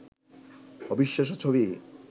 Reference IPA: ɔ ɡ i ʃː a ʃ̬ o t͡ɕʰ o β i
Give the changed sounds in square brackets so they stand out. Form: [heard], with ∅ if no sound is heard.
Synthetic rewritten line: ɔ [b] i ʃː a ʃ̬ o t͡ɕʰ o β i